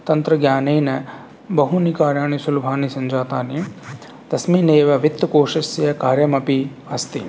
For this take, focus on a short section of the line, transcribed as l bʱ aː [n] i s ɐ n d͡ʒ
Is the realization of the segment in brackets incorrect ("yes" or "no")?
no